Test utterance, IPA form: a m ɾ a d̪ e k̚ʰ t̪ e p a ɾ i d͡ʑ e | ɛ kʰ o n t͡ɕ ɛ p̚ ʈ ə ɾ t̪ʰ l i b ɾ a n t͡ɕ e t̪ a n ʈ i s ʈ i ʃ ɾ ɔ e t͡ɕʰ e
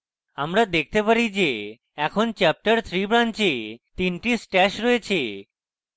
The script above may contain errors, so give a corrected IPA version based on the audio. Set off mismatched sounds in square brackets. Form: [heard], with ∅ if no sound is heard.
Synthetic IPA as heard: a m ɾ a d̪ e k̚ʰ t̪ e p a ɾ i d͡ʑ e | ɛ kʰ o n t͡ɕ ɛ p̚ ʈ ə ɾ t̪ʰ [ɾ] i b ɾ a n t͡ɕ e t̪ [i] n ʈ i s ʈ [ɛ] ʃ ɾ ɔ e t͡ɕʰ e